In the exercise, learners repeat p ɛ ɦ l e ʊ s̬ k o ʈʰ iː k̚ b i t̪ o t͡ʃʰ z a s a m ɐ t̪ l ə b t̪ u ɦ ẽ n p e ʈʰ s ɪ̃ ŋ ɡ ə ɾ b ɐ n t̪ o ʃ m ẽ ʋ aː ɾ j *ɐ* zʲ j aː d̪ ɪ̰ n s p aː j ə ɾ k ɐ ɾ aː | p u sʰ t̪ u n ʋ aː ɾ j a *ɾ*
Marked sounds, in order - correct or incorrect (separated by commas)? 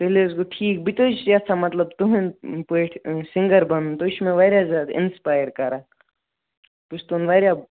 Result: incorrect, incorrect